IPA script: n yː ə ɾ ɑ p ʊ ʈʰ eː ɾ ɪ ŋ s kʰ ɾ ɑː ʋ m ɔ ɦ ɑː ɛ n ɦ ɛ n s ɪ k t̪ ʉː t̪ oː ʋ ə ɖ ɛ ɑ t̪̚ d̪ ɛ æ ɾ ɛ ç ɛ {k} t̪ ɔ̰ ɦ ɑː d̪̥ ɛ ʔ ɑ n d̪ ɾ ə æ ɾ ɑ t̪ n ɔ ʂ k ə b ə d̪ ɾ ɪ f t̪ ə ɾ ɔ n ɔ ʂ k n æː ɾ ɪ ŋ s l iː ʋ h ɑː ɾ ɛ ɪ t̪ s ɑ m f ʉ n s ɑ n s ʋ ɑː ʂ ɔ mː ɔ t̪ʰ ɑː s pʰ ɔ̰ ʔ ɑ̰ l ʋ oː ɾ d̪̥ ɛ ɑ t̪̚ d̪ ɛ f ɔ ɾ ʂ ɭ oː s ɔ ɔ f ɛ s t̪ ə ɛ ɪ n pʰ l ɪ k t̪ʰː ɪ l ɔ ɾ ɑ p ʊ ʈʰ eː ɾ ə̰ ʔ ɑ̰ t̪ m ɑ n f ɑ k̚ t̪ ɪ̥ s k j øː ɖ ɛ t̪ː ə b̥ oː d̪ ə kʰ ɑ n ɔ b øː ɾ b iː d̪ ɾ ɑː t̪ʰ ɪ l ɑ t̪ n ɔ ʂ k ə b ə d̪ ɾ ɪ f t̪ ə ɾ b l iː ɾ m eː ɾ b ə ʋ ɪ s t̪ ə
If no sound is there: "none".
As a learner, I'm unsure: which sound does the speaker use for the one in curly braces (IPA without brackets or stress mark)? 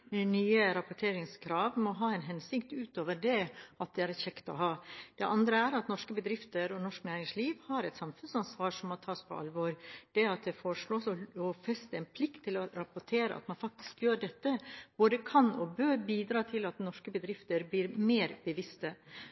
k